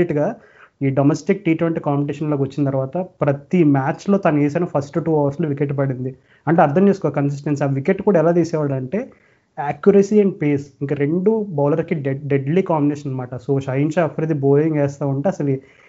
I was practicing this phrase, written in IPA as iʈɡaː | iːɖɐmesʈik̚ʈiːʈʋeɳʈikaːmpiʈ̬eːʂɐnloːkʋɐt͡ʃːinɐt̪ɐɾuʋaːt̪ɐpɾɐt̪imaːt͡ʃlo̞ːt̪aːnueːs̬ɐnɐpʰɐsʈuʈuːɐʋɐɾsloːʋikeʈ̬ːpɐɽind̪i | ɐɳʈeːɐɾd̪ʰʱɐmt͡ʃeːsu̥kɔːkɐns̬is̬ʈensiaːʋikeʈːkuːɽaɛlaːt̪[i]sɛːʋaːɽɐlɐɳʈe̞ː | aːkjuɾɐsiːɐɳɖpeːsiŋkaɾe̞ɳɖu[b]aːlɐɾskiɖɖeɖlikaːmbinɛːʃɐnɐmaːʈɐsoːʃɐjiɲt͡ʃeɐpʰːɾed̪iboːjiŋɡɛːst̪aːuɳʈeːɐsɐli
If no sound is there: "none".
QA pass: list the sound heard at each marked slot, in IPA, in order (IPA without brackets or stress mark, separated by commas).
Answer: iː, b